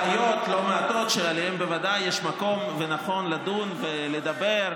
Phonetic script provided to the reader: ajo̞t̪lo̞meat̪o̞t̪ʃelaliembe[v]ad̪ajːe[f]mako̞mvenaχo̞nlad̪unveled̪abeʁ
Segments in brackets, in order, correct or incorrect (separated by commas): correct, incorrect